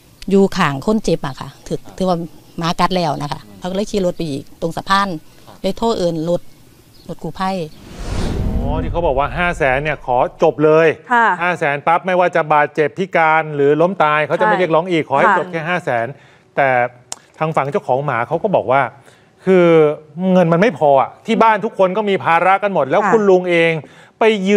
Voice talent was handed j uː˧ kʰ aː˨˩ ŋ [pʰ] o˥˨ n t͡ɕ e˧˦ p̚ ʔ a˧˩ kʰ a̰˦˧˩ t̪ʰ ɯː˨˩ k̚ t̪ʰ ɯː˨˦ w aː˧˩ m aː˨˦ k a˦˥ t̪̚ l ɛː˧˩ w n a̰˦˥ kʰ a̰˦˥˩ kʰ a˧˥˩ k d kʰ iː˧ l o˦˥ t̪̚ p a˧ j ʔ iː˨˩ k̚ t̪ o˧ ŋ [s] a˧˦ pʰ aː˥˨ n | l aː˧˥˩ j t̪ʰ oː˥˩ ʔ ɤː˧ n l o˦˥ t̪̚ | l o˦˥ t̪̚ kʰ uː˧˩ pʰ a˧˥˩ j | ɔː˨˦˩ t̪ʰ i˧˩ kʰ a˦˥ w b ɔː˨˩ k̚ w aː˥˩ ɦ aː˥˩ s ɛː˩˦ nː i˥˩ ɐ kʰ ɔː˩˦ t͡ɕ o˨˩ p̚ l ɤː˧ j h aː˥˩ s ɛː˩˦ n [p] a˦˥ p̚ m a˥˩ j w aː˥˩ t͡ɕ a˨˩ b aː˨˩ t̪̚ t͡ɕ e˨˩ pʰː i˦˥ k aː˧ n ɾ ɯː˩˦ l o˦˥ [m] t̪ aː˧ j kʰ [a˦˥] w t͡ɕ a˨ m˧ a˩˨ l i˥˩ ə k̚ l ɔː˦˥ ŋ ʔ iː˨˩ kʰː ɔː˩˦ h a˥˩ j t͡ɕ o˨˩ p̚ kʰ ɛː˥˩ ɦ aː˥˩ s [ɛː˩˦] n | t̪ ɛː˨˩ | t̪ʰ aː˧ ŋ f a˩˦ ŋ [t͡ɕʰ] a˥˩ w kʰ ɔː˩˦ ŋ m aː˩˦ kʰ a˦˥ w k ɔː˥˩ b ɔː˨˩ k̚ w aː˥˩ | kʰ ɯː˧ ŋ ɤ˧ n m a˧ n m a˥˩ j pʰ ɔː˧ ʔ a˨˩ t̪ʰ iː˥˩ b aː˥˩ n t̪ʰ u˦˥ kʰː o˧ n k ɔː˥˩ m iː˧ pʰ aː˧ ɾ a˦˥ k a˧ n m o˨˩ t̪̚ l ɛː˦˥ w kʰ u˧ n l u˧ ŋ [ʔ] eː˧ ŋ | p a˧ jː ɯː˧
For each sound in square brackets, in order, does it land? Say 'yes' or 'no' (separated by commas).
no, yes, yes, yes, yes, yes, no, yes